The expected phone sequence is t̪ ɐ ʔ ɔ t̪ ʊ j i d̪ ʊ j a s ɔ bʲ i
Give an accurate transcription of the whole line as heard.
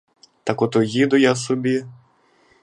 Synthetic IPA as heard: t̪ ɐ k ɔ t̪ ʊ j i d̪ ʊ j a s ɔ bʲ i